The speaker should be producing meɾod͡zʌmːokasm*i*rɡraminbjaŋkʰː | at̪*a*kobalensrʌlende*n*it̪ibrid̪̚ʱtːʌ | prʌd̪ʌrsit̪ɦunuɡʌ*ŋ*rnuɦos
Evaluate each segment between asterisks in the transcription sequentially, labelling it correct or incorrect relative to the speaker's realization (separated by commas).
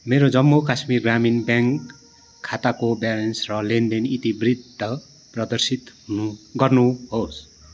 correct, correct, correct, incorrect